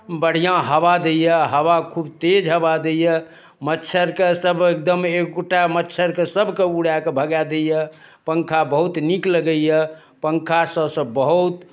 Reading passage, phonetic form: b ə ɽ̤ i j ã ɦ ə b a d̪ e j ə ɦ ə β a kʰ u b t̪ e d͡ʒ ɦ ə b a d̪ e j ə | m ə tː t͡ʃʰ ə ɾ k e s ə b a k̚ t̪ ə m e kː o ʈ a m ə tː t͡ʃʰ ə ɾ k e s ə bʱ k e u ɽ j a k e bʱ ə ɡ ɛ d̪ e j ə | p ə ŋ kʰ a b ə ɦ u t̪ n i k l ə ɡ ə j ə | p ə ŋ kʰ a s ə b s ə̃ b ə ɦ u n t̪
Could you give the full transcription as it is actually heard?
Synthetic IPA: b ə ɽ̤ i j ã ɦ ə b a d̪ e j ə ɦ ə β a kʰ u b t̪ e d͡ʒ ɦ ə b a d̪ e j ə | m ə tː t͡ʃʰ ə ɾ k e s ə b e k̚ d̪ ə m e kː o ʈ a m ə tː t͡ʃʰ ə ɾ k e s ə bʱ k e u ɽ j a k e bʱ ə ɡ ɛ d̪ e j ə | p ə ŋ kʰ a b ə ɦ u t̪ n i k l ə ɡ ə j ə | p ə ŋ kʰ a s ə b s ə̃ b ə ɦ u t̪